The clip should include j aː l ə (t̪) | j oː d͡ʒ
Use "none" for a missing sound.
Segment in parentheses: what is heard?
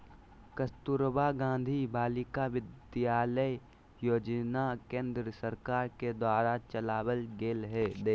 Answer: none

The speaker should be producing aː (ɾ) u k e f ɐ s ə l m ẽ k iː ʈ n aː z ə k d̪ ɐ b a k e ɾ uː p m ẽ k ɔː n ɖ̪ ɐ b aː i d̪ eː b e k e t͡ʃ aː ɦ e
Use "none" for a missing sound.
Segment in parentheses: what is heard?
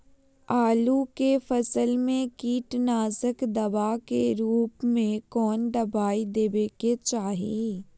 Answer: l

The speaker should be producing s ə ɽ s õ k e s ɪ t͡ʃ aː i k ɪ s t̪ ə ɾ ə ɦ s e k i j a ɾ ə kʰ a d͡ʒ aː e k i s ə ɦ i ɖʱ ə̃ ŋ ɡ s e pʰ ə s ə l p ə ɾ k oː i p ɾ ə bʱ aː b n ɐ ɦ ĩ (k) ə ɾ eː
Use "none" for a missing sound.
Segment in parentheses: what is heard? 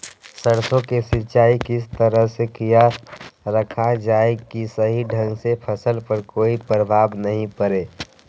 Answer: p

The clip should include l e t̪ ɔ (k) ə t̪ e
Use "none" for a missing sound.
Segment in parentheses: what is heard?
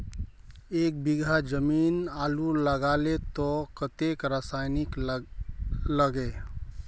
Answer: k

